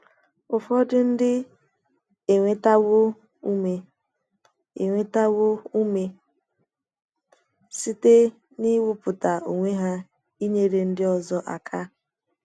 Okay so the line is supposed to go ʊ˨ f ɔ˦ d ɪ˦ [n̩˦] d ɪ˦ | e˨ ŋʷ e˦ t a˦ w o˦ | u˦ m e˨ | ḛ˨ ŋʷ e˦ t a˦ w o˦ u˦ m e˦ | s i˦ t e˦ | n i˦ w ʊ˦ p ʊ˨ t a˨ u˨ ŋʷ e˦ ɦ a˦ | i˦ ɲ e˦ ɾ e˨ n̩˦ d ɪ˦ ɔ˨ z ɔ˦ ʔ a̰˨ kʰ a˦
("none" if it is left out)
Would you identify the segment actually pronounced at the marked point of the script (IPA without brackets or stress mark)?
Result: n̩˦